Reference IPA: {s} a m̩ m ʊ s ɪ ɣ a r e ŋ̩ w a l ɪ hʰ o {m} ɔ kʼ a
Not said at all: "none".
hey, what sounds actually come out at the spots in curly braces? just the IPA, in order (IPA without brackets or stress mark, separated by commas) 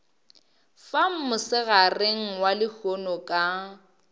f, n